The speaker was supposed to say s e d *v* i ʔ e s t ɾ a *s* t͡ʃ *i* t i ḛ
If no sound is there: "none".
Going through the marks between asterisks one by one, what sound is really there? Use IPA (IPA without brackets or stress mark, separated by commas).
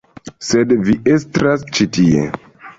v, s, i